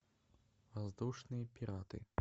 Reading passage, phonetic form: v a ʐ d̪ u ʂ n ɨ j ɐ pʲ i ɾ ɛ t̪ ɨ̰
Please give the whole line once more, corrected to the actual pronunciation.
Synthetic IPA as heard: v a z d̪ u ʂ n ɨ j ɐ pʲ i ɾ a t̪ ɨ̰